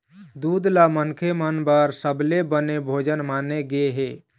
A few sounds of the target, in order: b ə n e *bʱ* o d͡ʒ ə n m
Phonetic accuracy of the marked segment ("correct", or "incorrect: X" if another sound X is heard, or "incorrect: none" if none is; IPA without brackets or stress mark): correct